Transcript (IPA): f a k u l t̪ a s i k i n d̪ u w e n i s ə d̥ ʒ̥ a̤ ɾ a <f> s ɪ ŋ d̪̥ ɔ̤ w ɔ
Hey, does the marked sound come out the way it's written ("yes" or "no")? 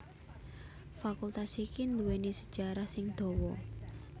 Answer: no